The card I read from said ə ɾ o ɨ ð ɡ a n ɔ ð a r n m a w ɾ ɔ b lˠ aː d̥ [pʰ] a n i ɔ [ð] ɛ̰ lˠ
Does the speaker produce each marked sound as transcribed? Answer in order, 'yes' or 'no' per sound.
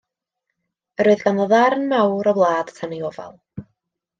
no, no

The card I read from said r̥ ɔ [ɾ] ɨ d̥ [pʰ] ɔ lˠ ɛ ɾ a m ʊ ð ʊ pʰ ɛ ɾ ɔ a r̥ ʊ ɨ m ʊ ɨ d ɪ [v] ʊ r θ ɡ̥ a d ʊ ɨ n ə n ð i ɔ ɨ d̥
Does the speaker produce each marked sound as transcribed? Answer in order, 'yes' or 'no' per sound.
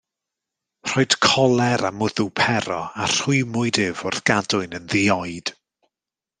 no, no, yes

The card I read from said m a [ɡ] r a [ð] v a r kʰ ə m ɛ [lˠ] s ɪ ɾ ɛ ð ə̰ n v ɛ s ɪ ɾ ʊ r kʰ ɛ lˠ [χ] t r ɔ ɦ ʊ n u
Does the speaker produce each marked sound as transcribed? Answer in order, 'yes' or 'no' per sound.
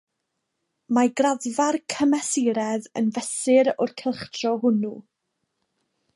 yes, yes, no, yes

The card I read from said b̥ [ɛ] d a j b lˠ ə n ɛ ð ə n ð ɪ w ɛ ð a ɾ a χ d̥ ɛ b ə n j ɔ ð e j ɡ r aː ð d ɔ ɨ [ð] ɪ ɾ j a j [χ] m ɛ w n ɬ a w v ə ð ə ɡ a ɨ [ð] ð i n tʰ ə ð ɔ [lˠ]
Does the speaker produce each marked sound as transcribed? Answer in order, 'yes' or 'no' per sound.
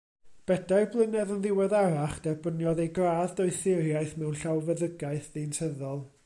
yes, no, no, no, yes

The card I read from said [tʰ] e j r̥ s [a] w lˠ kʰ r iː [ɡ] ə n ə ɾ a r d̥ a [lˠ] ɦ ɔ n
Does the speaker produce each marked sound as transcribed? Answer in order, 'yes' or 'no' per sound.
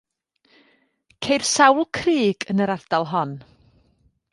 no, yes, yes, yes

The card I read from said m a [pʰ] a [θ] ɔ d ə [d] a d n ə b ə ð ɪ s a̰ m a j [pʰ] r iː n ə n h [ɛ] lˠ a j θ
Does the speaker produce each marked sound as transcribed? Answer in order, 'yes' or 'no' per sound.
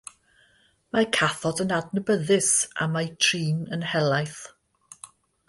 no, yes, no, no, yes

